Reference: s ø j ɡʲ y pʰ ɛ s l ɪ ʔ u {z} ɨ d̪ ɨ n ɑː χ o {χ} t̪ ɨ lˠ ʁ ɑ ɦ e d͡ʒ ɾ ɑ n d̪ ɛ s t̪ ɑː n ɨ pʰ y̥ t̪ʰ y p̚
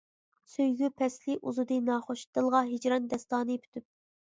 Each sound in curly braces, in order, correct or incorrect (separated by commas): correct, incorrect